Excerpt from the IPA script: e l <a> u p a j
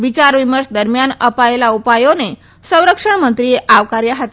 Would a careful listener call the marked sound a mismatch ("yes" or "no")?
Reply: no